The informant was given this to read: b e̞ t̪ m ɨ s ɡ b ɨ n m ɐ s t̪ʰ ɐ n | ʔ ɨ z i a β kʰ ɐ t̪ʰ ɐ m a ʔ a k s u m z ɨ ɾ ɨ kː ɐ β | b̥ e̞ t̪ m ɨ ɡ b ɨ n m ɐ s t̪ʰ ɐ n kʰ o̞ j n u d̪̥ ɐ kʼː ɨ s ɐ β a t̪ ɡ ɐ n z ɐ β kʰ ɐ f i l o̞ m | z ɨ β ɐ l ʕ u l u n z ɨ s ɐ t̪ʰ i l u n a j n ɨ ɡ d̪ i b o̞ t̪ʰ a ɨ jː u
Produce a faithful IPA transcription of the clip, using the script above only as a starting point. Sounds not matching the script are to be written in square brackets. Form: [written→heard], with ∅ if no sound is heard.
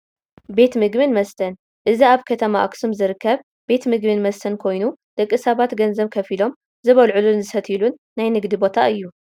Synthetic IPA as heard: b e̞ t̪ m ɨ [s→∅] ɡ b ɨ n m ɐ s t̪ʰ ɐ n | ʔ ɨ z i a β kʰ ɐ t̪ʰ ɐ m a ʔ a k s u m z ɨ ɾ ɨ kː ɐ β | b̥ e̞ t̪ m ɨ ɡ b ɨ n m ɐ s t̪ʰ ɐ n kʰ o̞ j n u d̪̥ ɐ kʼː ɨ s ɐ β a t̪ ɡ ɐ n z ɐ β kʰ ɐ f i l o̞ m | z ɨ β ɐ l ʕ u l u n z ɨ s ɐ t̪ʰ i l u [n→nː] a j n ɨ ɡ d̪ i b o̞ t̪ʰ a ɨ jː u